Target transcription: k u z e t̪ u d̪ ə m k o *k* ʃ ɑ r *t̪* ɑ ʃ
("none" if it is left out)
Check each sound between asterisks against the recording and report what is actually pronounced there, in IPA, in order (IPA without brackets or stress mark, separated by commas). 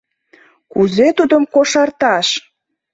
none, t̪